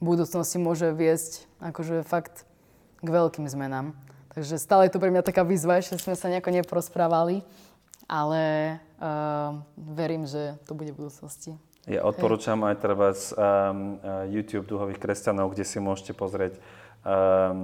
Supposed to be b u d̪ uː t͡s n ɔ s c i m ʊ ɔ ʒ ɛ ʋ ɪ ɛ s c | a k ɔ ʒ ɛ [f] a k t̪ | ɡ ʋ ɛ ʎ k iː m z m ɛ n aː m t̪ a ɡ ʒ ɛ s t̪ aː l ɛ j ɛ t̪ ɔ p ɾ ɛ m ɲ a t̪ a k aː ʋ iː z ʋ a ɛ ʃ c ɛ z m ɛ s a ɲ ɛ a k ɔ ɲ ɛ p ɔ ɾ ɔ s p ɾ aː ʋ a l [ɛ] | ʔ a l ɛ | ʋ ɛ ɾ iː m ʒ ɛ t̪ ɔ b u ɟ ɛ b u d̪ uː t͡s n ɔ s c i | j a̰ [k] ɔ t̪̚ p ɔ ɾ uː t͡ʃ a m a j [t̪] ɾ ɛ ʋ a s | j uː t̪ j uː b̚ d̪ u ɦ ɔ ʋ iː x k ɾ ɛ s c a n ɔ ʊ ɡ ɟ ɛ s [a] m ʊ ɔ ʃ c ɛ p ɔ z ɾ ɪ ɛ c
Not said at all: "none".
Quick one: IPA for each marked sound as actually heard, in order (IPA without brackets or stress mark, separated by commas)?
f, i, ʔ, t̪, i